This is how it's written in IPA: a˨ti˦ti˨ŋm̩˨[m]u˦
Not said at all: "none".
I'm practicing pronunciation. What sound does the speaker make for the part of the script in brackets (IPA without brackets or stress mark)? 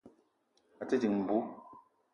b